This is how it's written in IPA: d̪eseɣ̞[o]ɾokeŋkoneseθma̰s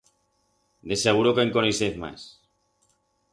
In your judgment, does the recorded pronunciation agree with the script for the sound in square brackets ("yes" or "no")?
no